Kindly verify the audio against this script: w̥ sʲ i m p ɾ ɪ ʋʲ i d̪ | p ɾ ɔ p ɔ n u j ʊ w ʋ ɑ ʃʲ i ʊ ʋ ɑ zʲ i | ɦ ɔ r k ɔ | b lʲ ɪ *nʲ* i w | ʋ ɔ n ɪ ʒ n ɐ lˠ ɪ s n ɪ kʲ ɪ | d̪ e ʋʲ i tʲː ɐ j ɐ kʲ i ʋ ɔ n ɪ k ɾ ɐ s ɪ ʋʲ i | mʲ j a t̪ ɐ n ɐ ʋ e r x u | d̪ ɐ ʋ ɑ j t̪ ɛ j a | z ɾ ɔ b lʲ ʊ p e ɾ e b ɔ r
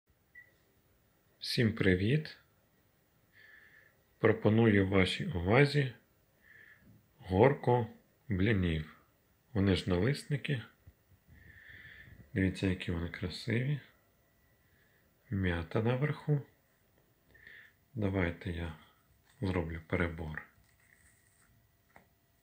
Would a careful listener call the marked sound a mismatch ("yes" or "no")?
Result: no